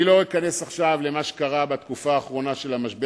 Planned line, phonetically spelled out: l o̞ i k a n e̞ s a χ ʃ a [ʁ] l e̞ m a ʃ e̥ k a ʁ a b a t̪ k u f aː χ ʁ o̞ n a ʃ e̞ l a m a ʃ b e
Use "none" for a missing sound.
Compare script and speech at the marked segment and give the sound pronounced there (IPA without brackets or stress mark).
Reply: v